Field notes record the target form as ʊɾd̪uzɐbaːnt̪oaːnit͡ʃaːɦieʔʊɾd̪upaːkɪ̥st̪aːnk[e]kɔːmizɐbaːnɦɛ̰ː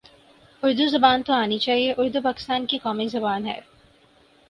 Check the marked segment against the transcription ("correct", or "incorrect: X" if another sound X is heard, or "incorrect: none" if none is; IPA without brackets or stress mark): incorrect: i